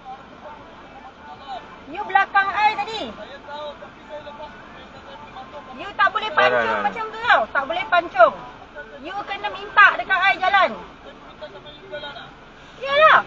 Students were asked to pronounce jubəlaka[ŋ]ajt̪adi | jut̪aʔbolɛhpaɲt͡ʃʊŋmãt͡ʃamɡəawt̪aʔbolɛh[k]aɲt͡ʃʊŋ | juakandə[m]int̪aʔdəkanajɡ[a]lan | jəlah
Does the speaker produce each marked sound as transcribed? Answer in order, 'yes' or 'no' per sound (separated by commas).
yes, no, yes, yes